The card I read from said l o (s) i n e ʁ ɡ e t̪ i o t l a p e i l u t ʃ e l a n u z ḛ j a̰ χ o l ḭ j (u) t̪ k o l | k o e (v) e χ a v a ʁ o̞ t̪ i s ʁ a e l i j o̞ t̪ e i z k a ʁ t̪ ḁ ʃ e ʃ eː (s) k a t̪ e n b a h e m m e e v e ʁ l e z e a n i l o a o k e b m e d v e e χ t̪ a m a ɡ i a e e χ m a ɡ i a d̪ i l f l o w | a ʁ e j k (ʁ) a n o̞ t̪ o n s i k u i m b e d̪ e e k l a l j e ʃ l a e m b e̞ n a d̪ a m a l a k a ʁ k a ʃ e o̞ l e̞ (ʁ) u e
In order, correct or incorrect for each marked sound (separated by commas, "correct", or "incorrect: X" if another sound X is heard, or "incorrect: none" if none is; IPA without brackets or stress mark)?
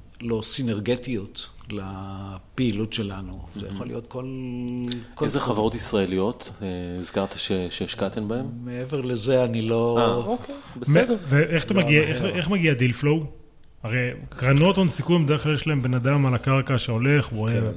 correct, incorrect: o, incorrect: z, incorrect: ʃ, correct, incorrect: χ